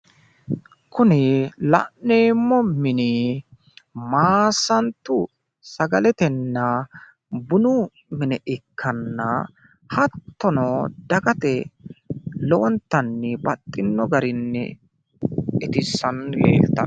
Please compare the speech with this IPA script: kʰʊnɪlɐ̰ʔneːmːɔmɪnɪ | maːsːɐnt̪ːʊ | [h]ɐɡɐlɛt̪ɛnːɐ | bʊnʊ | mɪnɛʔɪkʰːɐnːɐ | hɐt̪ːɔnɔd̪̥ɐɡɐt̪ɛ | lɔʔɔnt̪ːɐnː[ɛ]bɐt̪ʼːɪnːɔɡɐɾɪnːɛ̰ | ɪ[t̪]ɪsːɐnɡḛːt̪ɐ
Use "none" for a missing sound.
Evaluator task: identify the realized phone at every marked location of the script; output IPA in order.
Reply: s, ɛ, t̪

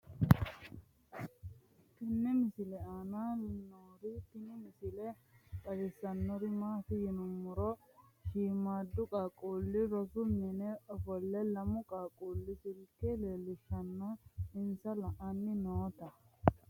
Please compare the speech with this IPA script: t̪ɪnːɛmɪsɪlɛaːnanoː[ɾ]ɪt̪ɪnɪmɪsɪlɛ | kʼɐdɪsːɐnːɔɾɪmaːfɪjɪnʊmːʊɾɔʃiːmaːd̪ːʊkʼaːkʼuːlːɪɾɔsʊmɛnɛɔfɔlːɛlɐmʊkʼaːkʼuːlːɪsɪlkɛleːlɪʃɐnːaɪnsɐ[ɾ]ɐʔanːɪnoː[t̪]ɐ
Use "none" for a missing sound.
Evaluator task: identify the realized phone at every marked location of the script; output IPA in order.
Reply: ɾ, l, t̪

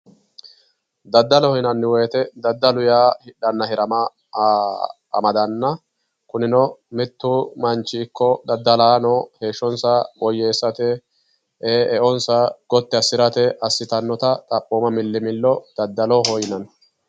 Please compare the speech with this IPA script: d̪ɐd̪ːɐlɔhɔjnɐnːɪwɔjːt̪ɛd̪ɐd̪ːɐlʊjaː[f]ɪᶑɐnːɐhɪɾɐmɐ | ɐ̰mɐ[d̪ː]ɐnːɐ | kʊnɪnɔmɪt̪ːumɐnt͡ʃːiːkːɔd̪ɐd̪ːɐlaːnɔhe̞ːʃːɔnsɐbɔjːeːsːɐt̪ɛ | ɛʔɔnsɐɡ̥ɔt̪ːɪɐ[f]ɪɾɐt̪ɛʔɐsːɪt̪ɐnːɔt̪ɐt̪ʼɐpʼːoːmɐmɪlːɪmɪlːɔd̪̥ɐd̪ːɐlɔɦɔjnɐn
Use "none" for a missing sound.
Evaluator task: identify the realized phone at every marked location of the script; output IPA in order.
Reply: h, d̪, s

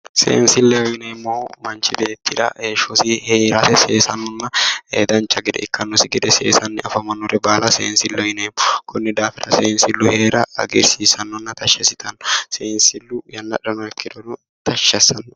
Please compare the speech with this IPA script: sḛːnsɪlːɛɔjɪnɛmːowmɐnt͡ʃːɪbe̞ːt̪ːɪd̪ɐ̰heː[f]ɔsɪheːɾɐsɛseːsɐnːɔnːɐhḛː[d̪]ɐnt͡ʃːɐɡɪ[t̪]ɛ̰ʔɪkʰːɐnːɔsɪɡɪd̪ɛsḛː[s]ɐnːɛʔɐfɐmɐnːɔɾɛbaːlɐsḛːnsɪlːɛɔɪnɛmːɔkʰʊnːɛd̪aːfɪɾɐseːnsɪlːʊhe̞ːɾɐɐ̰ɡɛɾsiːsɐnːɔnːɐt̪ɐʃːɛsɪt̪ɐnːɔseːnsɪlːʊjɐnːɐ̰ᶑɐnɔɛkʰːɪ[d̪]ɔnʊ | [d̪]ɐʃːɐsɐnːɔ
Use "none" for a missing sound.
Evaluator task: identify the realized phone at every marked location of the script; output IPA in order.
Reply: ʃ, d̪, d̪, s, d̪, t̪

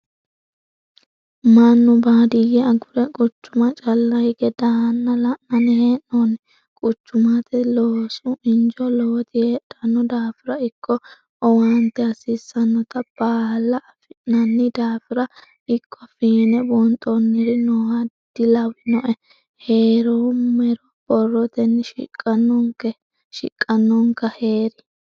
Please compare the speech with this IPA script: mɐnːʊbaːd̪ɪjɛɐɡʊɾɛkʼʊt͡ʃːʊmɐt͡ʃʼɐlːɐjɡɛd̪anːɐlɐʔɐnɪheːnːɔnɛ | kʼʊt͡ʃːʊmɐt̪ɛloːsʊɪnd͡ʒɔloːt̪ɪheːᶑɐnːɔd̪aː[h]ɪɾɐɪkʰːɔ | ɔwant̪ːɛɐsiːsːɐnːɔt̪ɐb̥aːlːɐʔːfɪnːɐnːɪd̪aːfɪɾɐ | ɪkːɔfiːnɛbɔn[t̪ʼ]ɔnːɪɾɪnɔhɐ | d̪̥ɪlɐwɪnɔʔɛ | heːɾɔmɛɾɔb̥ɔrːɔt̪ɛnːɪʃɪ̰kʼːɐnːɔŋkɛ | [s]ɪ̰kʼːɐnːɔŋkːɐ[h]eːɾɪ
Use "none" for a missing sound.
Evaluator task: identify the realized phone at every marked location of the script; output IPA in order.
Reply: f, t̪ʼ, ʃ, h

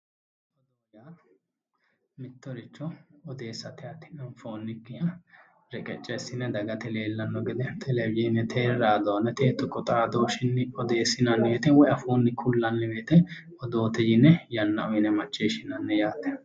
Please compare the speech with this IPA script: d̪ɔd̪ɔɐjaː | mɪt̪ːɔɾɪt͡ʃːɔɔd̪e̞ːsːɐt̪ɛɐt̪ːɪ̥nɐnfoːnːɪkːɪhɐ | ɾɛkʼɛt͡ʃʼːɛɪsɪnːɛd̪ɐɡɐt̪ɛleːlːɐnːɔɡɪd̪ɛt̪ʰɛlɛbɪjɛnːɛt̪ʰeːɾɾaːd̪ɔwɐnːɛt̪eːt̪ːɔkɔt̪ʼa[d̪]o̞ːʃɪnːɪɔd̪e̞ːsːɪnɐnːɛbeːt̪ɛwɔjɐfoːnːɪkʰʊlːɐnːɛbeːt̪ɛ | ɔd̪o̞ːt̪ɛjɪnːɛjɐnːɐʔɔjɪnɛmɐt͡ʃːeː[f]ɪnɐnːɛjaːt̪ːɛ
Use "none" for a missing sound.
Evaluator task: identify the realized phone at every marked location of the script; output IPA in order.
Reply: d̪, ʃ

